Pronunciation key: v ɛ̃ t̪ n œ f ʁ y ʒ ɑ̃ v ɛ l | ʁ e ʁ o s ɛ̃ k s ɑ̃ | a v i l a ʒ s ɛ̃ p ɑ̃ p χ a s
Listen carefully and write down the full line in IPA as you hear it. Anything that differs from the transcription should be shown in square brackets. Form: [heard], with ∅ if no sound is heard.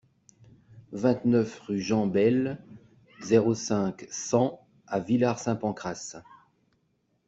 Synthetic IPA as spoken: v ɛ̃ t̪ n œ f ʁ y ʒ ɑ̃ [b] ɛ l | [z] e ʁ o s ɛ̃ k s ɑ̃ | a v i l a [ʁ] s ɛ̃ p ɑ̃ [k] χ a s